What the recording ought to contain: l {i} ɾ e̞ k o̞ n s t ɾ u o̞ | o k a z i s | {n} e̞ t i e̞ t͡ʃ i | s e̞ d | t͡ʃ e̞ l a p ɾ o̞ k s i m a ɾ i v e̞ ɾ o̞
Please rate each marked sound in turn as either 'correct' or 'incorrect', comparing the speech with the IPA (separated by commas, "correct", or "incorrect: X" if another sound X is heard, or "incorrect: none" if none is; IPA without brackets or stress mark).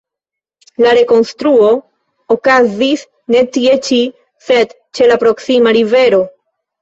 incorrect: a, correct